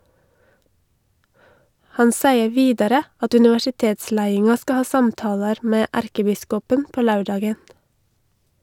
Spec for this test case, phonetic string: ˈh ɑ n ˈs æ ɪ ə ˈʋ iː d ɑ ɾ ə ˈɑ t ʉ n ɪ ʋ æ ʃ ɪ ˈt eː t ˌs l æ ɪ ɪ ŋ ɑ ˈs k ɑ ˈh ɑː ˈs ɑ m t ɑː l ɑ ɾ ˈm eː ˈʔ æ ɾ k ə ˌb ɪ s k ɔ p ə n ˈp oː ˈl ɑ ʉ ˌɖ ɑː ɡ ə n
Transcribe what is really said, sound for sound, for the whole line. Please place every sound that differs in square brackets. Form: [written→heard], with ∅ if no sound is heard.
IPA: ˈh ɑ n ˈs æ ɪ ə ˈʋ iː d ɑ ɾ ə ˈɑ t ʉ n ɪ ʋ æ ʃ ɪ ˈt eː t ˌs l æ ɪ ɪ ŋ ɑ ˈs k ɑ ˈh ɑː ˈs ɑ m t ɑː l ɑ ɾ ˈm eː ˈʔ æ ɾ k ə ˌb ɪ s k ɔ p ə n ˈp oː ˈl ɑ ʉ ˌɖ ɑː ɡ ə n